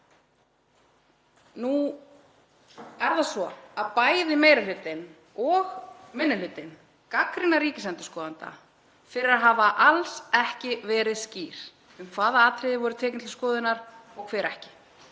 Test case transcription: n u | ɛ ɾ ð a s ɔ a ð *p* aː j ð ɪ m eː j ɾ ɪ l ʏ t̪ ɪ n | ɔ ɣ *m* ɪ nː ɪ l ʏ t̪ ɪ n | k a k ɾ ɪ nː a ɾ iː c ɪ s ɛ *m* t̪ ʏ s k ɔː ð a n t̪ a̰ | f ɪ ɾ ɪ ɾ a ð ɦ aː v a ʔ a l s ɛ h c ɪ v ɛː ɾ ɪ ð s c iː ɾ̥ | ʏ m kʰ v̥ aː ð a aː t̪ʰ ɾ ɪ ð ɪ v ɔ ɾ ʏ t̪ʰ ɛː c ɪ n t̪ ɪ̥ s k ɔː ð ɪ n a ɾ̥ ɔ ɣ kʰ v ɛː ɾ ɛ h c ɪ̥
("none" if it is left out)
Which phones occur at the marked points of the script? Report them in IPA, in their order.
p, m, n

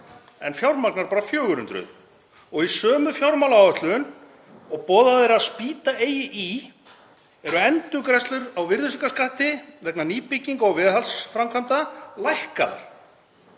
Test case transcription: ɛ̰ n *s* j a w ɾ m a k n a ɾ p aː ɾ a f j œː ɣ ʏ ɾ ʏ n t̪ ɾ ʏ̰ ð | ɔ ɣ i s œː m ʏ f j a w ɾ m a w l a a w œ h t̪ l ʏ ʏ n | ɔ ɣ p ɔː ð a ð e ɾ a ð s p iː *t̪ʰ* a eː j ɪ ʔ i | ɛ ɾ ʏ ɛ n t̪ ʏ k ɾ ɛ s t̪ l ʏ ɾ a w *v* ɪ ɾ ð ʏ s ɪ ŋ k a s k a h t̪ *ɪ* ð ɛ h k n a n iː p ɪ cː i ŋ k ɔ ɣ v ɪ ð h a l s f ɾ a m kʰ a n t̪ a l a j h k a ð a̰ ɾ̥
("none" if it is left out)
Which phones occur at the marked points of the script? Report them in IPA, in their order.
f, t̪, v, ɪ

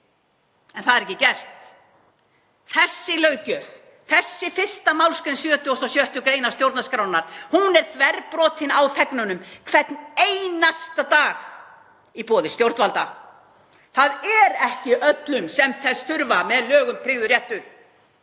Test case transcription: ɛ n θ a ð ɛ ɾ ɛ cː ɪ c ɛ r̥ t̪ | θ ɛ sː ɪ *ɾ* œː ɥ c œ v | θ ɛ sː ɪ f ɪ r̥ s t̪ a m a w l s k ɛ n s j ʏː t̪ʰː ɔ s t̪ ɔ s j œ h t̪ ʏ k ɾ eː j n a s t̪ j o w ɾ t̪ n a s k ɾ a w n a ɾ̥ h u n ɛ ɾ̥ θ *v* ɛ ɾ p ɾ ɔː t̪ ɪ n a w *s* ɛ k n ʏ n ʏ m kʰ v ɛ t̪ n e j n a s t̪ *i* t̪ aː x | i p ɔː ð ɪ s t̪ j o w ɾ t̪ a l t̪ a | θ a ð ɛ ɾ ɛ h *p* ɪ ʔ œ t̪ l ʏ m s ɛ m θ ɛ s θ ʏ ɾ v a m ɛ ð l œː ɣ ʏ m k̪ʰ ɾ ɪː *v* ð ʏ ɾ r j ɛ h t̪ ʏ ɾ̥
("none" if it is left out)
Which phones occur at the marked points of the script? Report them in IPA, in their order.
l, v, θ, a, c, ɣ

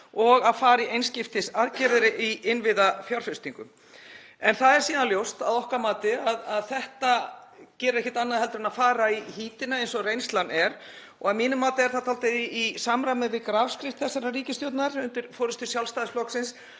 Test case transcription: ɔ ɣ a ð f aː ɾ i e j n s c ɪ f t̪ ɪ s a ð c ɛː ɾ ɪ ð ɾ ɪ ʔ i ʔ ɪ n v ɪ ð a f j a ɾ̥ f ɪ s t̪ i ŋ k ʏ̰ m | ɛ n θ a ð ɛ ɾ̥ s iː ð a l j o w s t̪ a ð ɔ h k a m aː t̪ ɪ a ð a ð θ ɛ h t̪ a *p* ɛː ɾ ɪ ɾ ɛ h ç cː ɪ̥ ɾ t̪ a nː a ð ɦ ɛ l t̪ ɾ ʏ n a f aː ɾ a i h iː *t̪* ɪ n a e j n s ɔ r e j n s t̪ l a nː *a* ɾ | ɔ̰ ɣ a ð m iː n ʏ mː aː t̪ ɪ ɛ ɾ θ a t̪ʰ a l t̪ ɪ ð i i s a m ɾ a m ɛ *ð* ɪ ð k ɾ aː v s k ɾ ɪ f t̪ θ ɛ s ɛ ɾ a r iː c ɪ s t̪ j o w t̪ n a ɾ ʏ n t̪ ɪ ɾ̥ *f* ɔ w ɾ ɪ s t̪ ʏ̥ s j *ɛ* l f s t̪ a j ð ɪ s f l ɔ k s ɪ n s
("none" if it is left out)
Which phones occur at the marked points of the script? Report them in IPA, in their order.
c, t̪, ɛ, v, f, a

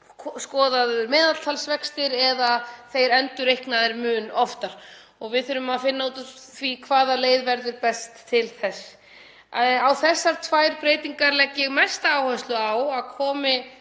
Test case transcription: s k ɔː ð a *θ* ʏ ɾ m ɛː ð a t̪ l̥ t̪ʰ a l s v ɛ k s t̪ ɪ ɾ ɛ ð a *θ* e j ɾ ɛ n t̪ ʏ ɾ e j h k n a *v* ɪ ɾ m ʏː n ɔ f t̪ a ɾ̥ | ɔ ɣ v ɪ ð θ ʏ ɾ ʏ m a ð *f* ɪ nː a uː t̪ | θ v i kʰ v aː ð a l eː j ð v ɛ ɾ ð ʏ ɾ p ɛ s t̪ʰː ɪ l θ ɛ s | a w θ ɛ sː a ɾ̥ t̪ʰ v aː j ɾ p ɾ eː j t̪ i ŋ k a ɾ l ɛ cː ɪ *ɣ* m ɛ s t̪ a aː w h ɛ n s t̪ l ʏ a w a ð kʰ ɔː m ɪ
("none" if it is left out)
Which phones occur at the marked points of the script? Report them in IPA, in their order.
ð, θ, ð, f, ɣ

